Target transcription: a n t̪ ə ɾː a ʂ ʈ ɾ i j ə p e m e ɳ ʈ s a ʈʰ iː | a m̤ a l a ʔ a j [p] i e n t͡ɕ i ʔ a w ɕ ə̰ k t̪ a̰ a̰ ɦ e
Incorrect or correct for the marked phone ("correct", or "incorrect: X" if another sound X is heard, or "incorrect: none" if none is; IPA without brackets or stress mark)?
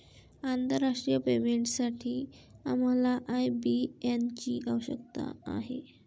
incorrect: b